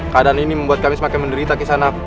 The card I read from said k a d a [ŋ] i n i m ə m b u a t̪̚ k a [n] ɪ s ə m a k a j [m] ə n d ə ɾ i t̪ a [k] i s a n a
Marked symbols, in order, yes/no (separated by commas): no, no, yes, yes